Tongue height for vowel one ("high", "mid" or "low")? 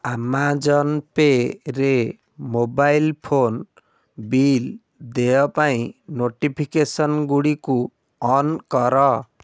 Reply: low